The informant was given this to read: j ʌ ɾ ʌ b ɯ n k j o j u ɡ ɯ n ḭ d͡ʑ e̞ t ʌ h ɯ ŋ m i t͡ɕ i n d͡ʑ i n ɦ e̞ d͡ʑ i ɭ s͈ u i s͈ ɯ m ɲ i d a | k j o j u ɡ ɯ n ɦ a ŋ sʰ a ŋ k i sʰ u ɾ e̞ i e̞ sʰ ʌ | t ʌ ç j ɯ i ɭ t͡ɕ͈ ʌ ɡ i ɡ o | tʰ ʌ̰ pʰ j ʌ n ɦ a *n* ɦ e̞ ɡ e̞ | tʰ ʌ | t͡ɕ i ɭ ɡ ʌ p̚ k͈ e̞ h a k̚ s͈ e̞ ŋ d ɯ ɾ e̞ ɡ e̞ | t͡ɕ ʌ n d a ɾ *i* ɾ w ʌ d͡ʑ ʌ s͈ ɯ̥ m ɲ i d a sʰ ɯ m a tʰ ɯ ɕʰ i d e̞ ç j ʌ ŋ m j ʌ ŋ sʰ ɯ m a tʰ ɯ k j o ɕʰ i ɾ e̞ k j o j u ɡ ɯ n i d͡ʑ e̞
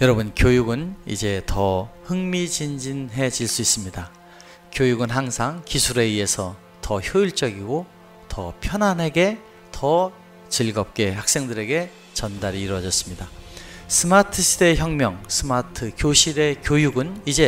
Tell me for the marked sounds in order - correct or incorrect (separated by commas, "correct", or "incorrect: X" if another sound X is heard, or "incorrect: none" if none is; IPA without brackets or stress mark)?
correct, incorrect: iː